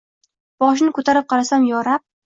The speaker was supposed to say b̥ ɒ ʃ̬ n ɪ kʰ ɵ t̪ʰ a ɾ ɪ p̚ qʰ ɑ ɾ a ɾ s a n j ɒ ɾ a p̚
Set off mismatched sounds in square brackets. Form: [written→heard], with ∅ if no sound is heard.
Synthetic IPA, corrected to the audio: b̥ ɒ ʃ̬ n ɪ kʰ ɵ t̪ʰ a ɾ ɪ p̚ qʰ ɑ ɾ a [ɾ→∅] s a [n→m] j ɒ ɾ a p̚